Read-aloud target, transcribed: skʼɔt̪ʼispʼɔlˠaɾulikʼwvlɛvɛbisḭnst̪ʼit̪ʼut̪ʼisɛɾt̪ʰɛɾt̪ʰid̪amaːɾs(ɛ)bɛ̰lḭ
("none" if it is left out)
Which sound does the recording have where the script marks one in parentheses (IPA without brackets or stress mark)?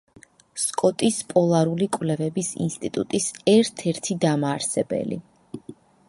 ɛ